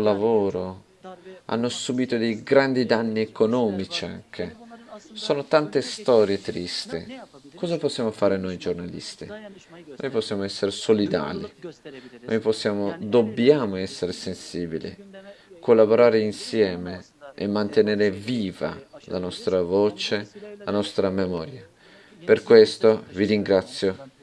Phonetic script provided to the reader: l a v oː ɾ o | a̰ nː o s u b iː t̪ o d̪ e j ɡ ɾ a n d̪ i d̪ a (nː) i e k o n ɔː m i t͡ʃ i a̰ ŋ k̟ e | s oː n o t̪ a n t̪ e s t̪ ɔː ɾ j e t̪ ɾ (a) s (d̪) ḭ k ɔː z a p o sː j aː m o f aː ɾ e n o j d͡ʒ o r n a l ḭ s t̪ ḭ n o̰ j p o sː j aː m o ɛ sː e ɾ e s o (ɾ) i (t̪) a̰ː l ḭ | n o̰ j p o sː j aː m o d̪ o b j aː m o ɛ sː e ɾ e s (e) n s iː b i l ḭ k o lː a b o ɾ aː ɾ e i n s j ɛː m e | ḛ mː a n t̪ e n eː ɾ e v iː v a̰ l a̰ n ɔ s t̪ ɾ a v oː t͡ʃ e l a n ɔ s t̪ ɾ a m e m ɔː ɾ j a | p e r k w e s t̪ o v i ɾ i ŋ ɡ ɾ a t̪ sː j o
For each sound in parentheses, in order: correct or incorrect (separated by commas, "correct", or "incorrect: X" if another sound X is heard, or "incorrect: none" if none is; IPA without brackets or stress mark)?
correct, incorrect: i, incorrect: t̪, incorrect: l, incorrect: d̪, correct